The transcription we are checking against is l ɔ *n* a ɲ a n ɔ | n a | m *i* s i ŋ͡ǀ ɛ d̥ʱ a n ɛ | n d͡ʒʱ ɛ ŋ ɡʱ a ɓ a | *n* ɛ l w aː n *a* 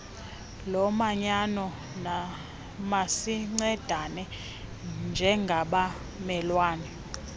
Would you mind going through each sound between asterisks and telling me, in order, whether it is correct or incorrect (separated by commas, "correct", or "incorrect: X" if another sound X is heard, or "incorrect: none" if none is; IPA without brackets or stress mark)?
incorrect: m, incorrect: a, incorrect: m, incorrect: ɛ